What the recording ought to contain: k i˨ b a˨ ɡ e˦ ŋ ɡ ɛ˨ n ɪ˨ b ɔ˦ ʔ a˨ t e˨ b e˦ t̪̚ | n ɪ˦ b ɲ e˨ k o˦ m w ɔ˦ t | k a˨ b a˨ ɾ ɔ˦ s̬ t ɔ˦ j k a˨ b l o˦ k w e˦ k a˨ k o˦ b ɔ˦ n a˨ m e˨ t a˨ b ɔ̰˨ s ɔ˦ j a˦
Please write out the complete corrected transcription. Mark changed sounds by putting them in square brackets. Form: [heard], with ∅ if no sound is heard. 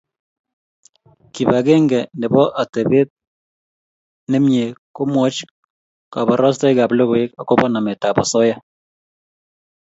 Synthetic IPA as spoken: k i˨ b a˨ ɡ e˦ ŋ ɡ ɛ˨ n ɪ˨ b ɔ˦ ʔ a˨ t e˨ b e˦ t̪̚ | n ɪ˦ [m] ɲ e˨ k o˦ m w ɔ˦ [t͡ʃ] | k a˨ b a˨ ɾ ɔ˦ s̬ t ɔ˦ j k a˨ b l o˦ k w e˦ k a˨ k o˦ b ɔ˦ n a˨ m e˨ t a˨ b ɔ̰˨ s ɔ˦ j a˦